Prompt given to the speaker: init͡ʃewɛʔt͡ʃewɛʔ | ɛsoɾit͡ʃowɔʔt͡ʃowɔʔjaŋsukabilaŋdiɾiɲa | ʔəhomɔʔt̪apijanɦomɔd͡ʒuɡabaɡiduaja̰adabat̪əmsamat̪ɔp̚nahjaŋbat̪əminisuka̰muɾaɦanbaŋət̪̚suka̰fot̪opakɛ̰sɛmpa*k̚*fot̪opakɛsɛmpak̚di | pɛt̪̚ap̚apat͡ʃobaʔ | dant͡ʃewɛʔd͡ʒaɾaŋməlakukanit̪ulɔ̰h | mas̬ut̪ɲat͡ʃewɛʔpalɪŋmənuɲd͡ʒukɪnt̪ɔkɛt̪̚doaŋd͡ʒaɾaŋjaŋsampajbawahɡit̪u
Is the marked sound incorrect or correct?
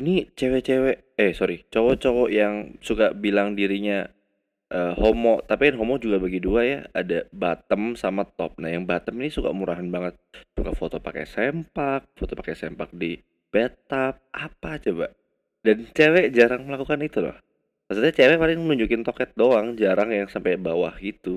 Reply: correct